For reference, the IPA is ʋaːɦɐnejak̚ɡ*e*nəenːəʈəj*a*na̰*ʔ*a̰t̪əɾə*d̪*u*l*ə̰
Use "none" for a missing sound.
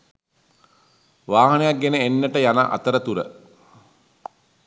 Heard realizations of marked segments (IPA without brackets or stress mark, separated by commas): e, a, ʔ, t̪, ɾ